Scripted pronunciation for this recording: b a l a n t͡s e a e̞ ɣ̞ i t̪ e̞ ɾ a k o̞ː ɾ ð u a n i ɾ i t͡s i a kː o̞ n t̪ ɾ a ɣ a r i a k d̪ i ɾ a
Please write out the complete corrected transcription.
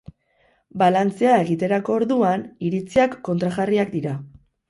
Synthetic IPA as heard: b a l a n t͡s e a e̞ ɣ̞ i t̪ e̞ ɾ a k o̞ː ɾ ð u a n i ɾ i t͡s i a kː o̞ n t̪ ɾ a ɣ a r i a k d̪ i ɾ a